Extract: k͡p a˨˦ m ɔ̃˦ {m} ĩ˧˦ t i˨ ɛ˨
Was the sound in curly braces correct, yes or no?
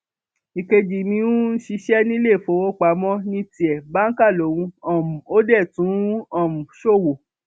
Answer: no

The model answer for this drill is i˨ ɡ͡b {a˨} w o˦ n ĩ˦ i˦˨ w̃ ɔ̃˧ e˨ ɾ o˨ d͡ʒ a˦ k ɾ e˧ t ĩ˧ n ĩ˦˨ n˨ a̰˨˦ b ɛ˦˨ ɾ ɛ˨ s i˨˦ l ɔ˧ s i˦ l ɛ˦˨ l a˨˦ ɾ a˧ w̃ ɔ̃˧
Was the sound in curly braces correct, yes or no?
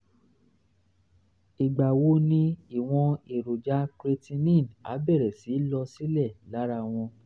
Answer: yes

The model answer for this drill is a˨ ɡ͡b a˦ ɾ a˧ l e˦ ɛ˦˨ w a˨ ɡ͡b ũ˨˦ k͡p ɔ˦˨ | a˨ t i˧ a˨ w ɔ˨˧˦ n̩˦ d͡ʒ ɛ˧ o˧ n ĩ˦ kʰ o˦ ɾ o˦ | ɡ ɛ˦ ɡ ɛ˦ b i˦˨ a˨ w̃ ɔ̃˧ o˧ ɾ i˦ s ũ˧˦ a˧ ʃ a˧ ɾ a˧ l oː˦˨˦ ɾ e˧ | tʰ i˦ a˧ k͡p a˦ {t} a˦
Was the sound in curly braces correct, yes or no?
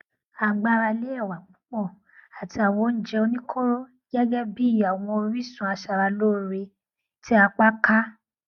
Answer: no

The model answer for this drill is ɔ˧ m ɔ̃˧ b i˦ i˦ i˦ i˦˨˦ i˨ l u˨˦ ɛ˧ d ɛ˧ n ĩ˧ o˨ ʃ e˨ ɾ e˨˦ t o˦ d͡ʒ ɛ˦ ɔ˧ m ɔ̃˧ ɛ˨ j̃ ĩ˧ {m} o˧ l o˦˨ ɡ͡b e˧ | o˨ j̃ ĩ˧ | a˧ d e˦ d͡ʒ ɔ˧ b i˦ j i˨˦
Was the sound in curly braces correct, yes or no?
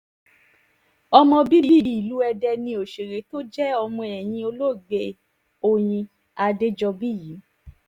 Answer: no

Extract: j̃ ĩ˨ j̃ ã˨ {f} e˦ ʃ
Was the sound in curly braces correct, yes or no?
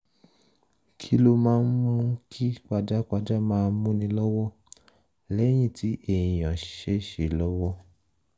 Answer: no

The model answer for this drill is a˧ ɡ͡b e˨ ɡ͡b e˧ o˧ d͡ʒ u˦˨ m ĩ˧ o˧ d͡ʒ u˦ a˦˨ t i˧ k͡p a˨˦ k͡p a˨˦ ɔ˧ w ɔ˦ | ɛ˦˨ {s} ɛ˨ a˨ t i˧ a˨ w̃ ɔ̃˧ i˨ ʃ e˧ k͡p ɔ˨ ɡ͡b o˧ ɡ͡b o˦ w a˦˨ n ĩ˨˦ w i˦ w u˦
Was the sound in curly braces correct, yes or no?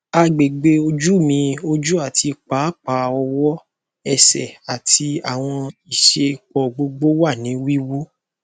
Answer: yes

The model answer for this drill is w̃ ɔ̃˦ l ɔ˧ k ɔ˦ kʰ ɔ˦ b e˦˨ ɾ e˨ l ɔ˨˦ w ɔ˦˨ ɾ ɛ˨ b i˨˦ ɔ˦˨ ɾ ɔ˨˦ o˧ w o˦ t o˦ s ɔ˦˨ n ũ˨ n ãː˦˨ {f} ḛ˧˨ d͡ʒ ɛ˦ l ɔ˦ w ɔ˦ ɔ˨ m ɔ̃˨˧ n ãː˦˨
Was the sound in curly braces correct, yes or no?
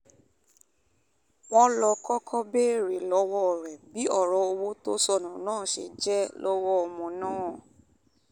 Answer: no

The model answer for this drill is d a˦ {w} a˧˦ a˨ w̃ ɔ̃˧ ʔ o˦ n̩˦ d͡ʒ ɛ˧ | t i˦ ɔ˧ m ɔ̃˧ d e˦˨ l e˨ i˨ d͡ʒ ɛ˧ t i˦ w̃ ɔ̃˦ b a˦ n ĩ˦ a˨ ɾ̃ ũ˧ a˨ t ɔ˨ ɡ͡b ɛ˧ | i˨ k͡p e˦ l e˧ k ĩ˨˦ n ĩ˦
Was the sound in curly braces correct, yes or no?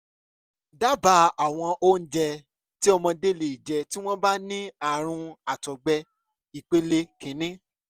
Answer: no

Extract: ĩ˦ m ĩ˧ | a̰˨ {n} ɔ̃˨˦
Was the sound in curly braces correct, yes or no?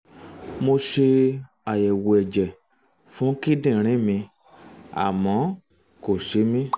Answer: no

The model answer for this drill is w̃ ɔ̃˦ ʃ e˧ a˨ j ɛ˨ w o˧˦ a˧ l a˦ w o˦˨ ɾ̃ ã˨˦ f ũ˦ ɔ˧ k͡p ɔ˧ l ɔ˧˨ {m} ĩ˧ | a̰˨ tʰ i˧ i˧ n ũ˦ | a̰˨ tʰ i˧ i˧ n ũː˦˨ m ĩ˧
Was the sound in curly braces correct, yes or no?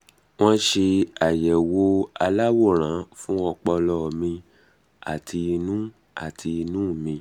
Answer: yes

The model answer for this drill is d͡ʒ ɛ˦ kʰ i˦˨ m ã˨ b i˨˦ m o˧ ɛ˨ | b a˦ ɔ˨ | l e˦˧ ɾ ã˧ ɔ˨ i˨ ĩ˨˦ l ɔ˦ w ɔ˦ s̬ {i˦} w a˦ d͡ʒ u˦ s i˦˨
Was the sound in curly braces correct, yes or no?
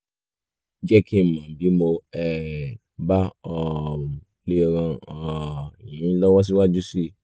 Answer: yes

